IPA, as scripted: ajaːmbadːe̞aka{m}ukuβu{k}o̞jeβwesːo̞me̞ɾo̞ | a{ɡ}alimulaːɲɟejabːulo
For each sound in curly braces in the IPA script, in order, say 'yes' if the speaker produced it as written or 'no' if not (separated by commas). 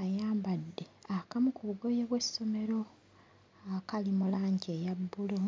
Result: yes, no, no